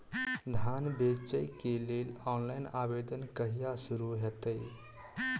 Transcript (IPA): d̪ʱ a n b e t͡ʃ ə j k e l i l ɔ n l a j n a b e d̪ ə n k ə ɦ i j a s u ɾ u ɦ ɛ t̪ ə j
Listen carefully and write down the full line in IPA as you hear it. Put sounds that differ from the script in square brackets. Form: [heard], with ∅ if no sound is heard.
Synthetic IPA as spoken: d̪ʱ a n b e t͡ʃ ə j k e l [e] l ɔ n l a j n a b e d̪ ə n k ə ɦ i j a s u ɾ u ɦ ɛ t̪ ə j

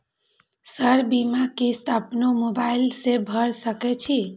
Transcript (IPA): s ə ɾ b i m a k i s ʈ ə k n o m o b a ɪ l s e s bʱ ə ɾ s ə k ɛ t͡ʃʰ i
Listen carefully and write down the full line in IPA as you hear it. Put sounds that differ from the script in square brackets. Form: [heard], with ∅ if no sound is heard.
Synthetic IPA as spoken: s ə ɾ b i m a k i s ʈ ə [p] n o m o b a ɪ l s e [∅] bʱ ə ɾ s ə k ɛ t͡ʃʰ i

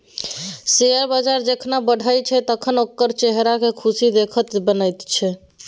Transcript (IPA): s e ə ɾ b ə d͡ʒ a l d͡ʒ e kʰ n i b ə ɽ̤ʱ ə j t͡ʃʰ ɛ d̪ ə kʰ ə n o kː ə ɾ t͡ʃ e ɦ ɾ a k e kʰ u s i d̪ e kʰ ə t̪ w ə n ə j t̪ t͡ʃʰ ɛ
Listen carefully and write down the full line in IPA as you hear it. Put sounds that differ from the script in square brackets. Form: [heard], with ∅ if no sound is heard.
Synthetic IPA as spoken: s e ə ɾ b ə d͡ʒ a [ɾ] d͡ʒ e kʰ n [a] b ə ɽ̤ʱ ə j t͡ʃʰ ɛ [t̪] ə kʰ ə n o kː ə ɾ t͡ʃ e ɦ ɾ a k e kʰ u s i d̪ e kʰ ə t̪ [b] ə n ə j t̪ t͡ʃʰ ɛ

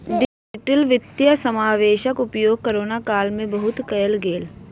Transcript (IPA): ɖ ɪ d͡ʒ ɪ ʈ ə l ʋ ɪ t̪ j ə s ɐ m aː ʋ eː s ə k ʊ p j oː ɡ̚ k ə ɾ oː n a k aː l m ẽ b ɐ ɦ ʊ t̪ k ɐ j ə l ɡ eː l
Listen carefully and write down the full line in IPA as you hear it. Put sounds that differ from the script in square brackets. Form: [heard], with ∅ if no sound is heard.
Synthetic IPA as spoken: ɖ ɪ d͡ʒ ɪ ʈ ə l ʋ ɪ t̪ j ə s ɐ m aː ʋ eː [ʃ] ə k ʊ p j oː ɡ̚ k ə ɾ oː n a k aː l m ẽ b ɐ ɦ ʊ t̪ k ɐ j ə l ɡ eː l

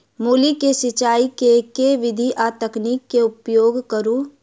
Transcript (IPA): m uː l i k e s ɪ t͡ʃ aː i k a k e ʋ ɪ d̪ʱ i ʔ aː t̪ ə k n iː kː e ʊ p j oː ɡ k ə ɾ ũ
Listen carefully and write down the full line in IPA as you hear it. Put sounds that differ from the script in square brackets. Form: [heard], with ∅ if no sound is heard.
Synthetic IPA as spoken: m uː l i k e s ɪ t͡ʃ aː i k [e] k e ʋ ɪ d̪ʱ i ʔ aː t̪ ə k n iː kː e ʊ p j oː ɡ k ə ɾ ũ

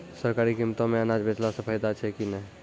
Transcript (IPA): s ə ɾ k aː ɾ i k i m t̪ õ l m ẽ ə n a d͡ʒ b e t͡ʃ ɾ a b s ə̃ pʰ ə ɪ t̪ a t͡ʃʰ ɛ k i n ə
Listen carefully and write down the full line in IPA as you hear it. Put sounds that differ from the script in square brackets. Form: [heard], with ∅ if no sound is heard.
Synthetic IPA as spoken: s ə ɾ k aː ɾ i k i m t̪ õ [∅] m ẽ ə n a d͡ʒ b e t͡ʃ [l] a [∅] s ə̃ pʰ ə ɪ [d̪] a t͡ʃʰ ɛ k i n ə

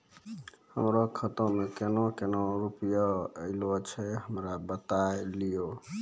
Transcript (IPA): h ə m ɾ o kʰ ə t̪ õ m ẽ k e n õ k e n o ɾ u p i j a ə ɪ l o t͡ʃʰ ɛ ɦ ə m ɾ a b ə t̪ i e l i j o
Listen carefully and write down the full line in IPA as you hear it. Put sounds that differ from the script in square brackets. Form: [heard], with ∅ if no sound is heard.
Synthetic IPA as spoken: h ə m ɾ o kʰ ə t̪ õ m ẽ k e n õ k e n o ɾ u p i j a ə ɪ l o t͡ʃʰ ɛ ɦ ə m ɾ a b ə t̪ [a] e l i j o

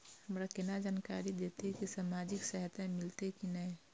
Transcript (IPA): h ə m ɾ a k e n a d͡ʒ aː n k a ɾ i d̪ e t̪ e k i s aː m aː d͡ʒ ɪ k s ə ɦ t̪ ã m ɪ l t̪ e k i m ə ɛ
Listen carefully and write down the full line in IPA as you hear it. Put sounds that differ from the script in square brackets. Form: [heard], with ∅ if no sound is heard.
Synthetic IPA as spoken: h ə m ɾ a k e n a d͡ʒ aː n k a ɾ i d̪ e t̪ e k i s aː m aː d͡ʒ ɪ k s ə ɦ t̪ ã m ɪ l t̪ e k i [n] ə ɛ

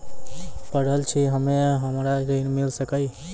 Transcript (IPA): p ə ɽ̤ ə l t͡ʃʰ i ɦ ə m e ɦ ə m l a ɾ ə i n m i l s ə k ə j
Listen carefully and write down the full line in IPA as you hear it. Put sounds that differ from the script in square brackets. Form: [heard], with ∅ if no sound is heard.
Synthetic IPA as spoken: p ə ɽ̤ ə l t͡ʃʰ i ɦ ə m e ɦ ə m [ɾ] a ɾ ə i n m i l s ə k ə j

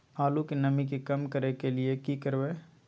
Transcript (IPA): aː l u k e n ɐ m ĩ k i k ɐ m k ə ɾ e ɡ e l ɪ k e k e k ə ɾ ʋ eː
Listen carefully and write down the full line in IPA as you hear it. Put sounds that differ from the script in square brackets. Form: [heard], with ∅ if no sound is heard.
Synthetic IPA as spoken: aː l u k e n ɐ m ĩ k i k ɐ m k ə ɾ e [k] e l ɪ [∅] e k [i] k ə ɾ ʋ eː

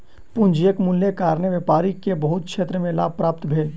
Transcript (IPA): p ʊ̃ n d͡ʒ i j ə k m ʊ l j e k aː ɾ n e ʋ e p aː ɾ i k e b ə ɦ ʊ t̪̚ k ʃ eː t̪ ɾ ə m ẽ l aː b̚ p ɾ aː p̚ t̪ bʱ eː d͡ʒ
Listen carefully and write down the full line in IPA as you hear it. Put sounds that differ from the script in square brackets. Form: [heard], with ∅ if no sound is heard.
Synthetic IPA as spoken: p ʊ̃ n d͡ʒ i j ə k m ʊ l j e k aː ɾ n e ʋ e p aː ɾ i k e b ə ɦ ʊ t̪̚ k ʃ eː t̪ ɾ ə m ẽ l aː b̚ p ɾ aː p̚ t̪ bʱ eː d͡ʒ

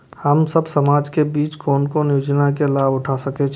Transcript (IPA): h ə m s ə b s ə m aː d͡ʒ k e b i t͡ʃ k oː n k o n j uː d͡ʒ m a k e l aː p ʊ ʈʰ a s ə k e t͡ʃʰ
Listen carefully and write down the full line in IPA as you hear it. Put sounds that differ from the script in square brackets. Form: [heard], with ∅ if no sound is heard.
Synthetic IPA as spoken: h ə m s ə b s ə m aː d͡ʒ k e b [iː] t͡ʃ k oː n k o n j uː d͡ʒ [n] a k e l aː [b] ʊ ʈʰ a s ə k e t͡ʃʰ

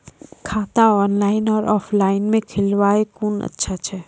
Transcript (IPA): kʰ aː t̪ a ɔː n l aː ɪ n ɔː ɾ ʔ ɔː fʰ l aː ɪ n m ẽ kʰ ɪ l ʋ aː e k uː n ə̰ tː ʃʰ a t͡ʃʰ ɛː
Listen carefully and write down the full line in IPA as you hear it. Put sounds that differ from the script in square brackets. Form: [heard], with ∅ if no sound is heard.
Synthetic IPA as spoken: kʰ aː t̪ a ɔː n l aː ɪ n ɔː ɾ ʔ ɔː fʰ l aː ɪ n m ẽ kʰ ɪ l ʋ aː e k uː n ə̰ tː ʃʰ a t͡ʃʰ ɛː

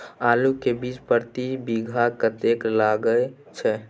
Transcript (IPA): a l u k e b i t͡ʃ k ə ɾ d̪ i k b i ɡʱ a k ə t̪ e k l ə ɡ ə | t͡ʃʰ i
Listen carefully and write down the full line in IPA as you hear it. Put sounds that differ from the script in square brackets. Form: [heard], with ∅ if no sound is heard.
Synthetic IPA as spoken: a l u k e b i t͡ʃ [p] ə ɾ [t̪] i [∅] b i ɡʱ a k ə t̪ e k l [a] ɡ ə | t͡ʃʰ [ɛ]

